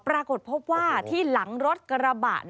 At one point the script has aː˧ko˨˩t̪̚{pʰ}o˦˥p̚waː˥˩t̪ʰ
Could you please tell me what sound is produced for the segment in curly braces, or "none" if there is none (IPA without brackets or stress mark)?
pʰ